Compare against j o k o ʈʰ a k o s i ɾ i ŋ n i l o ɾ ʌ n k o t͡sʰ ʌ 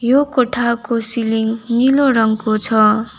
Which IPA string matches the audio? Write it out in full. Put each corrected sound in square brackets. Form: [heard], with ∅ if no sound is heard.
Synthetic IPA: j o k o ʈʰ a k o s i [l] i ŋ n i l o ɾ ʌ [ŋ] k o t͡sʰ ʌ